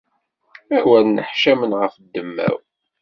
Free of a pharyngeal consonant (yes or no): no